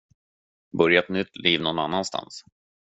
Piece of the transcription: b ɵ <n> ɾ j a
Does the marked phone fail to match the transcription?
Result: yes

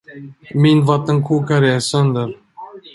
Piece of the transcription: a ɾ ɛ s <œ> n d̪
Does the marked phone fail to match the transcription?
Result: no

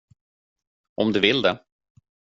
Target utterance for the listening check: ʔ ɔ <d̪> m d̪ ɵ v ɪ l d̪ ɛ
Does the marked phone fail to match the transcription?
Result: yes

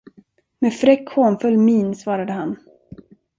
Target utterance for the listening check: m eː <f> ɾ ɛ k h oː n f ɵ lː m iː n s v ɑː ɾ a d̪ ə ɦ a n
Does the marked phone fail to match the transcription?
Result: no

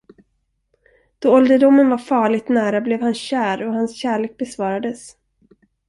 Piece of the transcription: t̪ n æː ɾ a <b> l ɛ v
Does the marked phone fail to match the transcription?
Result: no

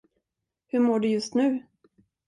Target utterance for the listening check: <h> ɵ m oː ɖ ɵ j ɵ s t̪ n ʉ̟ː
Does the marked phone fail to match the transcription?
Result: no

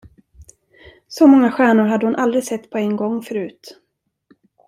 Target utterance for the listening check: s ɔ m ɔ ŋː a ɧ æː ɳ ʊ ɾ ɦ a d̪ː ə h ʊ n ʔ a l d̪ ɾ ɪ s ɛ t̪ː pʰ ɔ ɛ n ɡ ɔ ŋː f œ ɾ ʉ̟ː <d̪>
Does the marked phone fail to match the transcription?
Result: yes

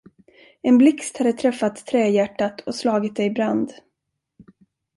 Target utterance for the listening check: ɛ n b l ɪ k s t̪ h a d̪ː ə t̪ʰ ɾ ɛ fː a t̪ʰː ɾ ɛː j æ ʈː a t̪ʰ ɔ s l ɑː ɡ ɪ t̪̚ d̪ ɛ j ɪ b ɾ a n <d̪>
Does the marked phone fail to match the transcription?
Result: no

